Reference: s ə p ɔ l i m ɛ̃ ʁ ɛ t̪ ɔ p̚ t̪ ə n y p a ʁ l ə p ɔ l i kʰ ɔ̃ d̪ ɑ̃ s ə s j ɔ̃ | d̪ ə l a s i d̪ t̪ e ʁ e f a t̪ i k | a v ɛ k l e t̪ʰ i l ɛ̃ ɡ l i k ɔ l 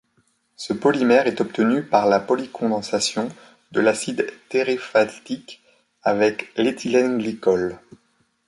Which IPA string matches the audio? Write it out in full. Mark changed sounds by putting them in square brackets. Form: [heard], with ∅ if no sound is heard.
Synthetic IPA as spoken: s ə p ɔ l i m [ɛ] ʁ ɛ t̪ ɔ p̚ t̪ ə n y p a ʁ l [a] p ɔ l i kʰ ɔ̃ d̪ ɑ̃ s [a] s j ɔ̃ | d̪ ə l a s i d̪ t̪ e ʁ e f a t̪ i k | a v ɛ k l e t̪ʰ i l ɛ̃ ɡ l i k ɔ l